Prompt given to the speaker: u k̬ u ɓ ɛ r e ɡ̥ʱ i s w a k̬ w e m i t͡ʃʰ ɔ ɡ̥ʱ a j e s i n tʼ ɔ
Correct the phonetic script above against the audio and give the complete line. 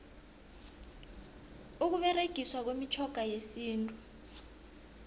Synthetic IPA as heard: u k̬ u ɓ ɛ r e ɡ̥ʱ i s w a k̬ w e m i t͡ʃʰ ɔ ɡ̥ʱ a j e s iː n tʼ u